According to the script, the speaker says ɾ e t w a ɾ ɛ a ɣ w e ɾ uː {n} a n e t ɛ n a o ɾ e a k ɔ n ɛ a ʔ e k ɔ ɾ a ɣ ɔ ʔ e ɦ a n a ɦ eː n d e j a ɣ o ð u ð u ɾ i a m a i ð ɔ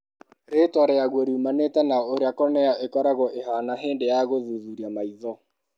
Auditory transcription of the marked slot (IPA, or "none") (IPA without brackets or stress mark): m